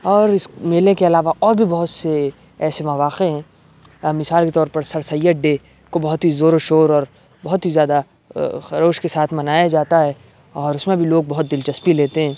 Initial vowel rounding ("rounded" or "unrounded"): rounded